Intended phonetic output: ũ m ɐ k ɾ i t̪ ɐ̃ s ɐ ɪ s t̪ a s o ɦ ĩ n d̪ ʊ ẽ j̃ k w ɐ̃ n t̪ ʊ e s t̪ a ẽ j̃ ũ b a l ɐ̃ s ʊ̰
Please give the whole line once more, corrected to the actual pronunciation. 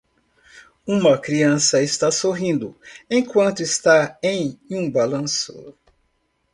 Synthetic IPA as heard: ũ m ɐ k ɾ i ɐ̃ s ɐ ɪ s t̪ a s o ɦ ĩ n d̪ ʊ ẽ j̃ k w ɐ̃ n t̪ ʊ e s t̪ a ẽ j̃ ũ b a l ɐ̃ s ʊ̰